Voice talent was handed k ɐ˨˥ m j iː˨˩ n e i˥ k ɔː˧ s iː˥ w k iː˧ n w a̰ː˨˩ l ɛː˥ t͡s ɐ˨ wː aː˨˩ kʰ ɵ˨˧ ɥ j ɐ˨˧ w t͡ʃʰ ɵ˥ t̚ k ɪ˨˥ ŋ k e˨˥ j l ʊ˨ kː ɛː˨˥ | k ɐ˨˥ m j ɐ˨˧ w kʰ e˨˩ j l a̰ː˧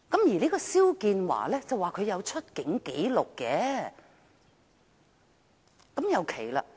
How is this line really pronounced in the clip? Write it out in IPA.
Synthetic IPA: k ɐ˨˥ m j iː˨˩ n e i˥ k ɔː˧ s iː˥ w k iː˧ n w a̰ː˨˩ l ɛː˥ t͡s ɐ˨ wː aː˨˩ kʰ ɵ˨˧ ɥ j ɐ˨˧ w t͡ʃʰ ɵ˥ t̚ k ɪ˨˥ ŋ k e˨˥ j l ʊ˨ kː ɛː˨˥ | k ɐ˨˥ m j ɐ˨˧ w kʰ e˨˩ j l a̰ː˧